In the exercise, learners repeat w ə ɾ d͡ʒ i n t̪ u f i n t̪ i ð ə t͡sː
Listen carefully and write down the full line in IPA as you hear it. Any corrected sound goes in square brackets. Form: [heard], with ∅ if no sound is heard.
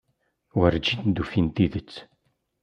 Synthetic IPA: w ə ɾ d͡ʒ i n [d̪] u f i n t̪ i ð ə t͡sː

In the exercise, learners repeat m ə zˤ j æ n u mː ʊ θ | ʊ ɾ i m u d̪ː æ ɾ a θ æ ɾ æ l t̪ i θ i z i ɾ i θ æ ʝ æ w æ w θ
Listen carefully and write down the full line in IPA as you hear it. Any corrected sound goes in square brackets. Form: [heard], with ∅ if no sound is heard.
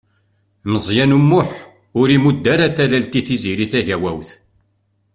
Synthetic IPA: m ə zˤ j æ n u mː ʊ [ħ] | ʊ ɾ i m u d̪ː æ ɾ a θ æ [l] æ l t̪ i θ i z i ɾ i θ æ ʝ æ w æ w θ

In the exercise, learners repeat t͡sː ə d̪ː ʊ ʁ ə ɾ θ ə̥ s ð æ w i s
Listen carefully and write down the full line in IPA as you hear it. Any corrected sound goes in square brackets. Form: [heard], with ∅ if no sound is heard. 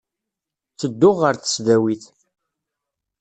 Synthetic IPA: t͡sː ə d̪ː ʊ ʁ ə ɾ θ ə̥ s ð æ w i [θ]

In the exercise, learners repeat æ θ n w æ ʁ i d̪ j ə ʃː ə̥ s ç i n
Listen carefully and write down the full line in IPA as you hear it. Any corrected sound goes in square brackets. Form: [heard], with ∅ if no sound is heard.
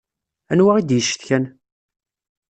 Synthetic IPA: æ [∅] n w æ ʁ i d̪ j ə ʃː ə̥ [θ] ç [æ] n

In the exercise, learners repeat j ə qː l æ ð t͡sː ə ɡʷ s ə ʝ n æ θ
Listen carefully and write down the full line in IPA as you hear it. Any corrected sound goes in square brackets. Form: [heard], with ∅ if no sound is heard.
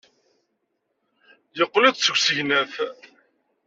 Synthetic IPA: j ə qː l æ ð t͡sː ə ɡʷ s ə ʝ n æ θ

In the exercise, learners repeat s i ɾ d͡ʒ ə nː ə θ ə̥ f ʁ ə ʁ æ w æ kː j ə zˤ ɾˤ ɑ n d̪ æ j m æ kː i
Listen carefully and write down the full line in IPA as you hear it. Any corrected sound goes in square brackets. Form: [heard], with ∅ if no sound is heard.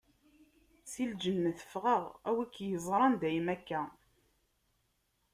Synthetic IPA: s i [l] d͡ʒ ə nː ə θ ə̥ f ʁ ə ʁ æ w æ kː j ə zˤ ɾˤ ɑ n d̪ æ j m æ kː [æ]

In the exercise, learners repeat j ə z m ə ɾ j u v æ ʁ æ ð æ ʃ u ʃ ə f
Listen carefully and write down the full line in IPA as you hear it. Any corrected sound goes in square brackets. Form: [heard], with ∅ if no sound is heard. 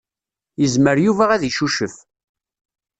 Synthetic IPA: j ə z m ə ɾ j u v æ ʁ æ ð [i] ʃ u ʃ ə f

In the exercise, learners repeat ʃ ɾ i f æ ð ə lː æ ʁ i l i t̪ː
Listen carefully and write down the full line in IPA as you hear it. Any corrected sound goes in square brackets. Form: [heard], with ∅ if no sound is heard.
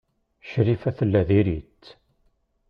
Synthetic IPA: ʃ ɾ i f æ [θ] ə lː æ [ð] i [ɾ] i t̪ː

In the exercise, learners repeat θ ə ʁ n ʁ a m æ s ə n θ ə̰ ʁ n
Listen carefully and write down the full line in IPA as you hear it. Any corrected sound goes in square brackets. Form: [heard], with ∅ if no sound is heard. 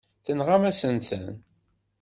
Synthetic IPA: θ ə [∅] n ʁ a m æ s ə n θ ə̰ [∅] n

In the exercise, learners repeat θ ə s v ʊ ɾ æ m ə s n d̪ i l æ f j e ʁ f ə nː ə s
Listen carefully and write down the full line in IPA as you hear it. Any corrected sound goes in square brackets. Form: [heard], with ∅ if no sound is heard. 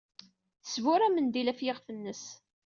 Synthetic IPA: θ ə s v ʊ ɾ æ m ə [∅] n d̪ i l æ f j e ʁ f ə nː ə s

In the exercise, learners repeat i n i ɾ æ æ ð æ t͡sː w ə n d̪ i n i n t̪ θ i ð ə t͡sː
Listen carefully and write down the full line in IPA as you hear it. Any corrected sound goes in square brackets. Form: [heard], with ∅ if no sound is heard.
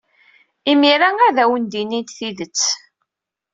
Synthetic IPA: i [m] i ɾ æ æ ð æ [∅] w ə n d̪ i n i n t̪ θ i ð ə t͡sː

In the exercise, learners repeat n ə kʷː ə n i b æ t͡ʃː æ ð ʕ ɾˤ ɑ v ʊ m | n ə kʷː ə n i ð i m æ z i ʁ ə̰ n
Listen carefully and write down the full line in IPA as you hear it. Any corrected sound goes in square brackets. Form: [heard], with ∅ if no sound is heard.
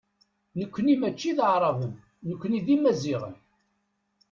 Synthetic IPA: n ə kʷː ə n i [m] æ t͡ʃː [i] ð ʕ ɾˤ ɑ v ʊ m | n ə kʷː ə n i ð i m æ z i ʁ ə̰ n

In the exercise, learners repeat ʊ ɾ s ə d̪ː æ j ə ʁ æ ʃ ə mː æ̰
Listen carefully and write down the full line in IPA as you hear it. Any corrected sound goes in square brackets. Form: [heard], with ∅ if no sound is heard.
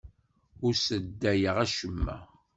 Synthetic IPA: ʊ ɾ s ə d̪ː æ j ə ʁ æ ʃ ə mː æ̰

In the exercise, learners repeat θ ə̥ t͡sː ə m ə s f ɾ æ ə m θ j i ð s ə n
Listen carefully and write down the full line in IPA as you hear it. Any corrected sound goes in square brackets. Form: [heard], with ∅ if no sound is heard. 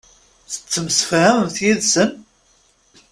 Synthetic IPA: θ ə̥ t͡sː ə m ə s f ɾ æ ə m θ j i ð s ə n

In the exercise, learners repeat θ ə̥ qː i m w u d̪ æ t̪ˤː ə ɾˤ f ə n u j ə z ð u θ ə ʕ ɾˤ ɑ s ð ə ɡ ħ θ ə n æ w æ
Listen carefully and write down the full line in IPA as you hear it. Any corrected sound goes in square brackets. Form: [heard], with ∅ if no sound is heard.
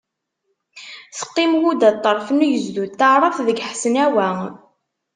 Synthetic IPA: θ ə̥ qː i m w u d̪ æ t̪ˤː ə ɾˤ f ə n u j ə z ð u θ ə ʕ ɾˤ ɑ [θ] ð ə ɡ ħ [s] ə n æ w æ

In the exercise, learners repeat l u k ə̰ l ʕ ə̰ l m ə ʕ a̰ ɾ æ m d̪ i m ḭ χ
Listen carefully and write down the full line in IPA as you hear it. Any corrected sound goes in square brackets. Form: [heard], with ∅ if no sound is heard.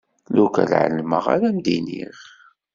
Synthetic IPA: l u k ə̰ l ʕ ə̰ l m ə [ʁ] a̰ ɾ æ m d̪ i [n] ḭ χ

